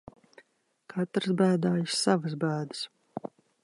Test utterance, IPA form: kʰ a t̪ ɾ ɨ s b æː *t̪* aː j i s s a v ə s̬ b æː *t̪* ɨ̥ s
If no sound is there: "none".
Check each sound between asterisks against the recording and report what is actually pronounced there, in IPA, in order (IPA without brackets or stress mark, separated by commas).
d̪, d̪